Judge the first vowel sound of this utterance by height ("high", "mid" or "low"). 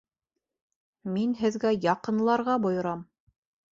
high